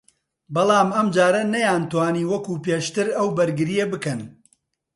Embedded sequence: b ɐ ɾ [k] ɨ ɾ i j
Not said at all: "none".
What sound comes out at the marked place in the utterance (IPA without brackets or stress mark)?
ɡ